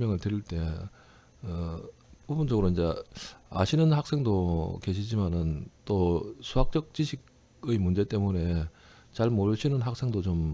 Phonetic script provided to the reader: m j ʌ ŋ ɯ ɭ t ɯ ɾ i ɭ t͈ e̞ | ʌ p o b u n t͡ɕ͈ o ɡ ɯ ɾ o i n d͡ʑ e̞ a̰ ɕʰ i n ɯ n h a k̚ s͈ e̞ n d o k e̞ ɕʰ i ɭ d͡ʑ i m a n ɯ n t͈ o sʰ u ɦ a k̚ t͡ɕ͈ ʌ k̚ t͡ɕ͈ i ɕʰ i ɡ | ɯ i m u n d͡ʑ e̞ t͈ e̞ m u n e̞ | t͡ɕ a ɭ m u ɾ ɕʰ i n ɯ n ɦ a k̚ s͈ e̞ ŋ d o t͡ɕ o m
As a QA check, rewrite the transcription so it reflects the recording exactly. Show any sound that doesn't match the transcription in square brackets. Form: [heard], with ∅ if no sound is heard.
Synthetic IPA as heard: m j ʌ ŋ ɯ ɭ t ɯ ɾ i ɭ t͈ e̞ | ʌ p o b u n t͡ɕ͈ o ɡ ɯ ɾ o i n d͡ʑ e̞ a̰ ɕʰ i n ɯ n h a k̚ s͈ e̞ [ŋ] d o k e̞ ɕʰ i [∅] d͡ʑ i m a n ɯ n t͈ o sʰ u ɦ a k̚ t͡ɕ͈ ʌ k̚ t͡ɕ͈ i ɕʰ i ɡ | ɯ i m u n d͡ʑ e̞ t͈ e̞ m u n e̞ | t͡ɕ a ɭ m [o] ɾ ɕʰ i n ɯ n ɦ a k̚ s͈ e̞ ŋ d o t͡ɕ o m